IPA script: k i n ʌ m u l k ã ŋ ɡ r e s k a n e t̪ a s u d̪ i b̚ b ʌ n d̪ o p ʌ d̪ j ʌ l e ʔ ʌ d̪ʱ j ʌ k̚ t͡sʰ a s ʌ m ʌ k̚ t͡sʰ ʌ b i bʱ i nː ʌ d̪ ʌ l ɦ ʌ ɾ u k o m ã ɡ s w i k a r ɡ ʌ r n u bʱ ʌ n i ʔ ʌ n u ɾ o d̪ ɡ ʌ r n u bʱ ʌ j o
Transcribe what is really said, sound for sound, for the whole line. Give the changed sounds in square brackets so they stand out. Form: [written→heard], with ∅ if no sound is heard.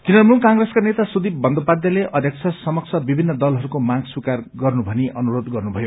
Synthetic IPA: k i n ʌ m u l k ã ŋ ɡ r e s k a n e t̪ a s u d̪ i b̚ b ʌ n d̪ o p [ʌ→a] d̪ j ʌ l e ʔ ʌ d̪ʱ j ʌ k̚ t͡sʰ [a→ʌ] s ʌ m ʌ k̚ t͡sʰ ʌ b i bʱ i nː ʌ d̪ ʌ l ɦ ʌ ɾ u k o m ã ɡ s w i k a r ɡ ʌ r n u bʱ ʌ n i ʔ ʌ n u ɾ o d̪ ɡ ʌ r n u bʱ ʌ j o

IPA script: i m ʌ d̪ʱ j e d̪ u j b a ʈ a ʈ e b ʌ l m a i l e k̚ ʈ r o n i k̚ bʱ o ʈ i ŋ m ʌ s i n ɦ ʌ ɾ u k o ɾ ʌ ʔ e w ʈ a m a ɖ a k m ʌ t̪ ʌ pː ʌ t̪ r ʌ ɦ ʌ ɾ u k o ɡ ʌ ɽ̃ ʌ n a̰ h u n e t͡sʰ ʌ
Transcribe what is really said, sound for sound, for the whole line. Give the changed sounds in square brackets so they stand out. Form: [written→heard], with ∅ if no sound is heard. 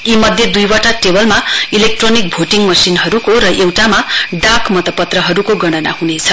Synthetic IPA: i m ʌ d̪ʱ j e d̪ u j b a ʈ a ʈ e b ʌ l m a i l e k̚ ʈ r o n i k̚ bʱ o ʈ i ŋ m ʌ s i n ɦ ʌ ɾ u k o ɾ ʌ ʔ e w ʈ a m a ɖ a k m ʌ t̪ ʌ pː ʌ t̪ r ʌ ɦ ʌ ɾ u k o ɡ ʌ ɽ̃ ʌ n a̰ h u n e t͡sʰ ʌ

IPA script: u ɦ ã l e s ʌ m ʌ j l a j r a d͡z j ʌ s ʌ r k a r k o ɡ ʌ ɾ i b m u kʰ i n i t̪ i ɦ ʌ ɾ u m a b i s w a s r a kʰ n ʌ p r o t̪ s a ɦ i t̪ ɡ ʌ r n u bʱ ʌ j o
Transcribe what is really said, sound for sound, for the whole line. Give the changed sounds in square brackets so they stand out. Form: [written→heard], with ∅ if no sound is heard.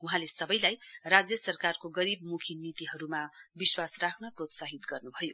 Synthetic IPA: u ɦ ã l e s ʌ [m→b] ʌ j l a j r a d͡z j ʌ s ʌ r k a r k o ɡ ʌ ɾ i b m u kʰ i n i t̪ i ɦ ʌ ɾ u m a b i s w a s r a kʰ n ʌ p r o t̪ s a ɦ i t̪ ɡ ʌ r n u bʱ ʌ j o

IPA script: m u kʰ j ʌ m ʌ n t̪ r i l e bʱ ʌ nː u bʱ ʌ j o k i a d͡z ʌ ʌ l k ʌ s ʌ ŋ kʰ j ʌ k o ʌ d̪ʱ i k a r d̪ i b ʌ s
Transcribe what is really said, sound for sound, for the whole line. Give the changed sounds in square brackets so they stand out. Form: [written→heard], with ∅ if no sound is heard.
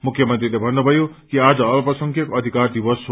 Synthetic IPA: m u kʰ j ʌ m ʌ n t̪ r i l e bʱ ʌ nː u bʱ ʌ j o k i a d͡z ʌ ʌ l [k→p] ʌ s ʌ ŋ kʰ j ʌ k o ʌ d̪ʱ i k a r d̪ i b ʌ s

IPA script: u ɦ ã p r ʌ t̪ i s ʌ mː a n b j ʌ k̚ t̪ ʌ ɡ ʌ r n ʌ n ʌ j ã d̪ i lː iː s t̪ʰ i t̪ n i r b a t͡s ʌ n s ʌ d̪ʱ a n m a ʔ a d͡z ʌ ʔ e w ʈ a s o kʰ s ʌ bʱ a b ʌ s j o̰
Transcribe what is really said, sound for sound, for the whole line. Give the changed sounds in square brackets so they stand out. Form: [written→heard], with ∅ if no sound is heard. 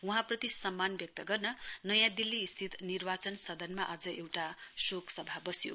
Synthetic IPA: u ɦ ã p r ʌ t̪ i s ʌ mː a n b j ʌ k̚ t̪ ʌ ɡ ʌ r n ʌ n ʌ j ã d̪ i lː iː s t̪ʰ i t̪ n i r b a t͡s ʌ n s ʌ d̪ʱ [a→ʌ] n m a ʔ a d͡z ʌ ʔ e w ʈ a s o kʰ s ʌ bʱ a b ʌ s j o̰

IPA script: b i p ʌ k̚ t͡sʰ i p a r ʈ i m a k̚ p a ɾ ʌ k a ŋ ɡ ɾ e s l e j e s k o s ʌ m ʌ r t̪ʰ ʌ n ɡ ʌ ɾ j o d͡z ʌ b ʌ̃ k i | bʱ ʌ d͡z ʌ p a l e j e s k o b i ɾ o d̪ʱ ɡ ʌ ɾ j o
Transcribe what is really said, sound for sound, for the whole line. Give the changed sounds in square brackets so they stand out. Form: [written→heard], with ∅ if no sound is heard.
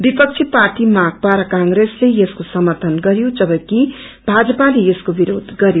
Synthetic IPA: b i p ʌ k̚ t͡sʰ i p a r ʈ i m a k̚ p a ɾ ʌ k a ŋ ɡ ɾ e s l e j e s k o s ʌ m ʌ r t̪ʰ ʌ n ɡ ʌ ɾ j o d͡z ʌ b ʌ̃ k i | bʱ [ʌ→a] d͡z ʌ p a l e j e s k o b i ɾ o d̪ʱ ɡ ʌ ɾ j o

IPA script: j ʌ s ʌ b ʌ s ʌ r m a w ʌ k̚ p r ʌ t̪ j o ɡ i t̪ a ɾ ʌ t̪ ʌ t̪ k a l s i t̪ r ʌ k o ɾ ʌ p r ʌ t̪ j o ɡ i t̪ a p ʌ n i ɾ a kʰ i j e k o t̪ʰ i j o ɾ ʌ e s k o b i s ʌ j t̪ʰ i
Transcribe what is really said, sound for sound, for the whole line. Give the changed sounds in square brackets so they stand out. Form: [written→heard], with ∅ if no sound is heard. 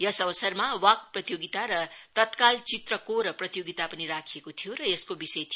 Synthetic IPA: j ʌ s ʌ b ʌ s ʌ r m a w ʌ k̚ p r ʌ t̪ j o ɡ i t̪ a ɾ ʌ t̪ ʌ t̪ k a l [s→t͡s] i t̪ r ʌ k o ɾ ʌ p r ʌ t̪ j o ɡ i t̪ a p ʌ n i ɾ a kʰ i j e k o t̪ʰ i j o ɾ ʌ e s k o b i s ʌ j t̪ʰ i

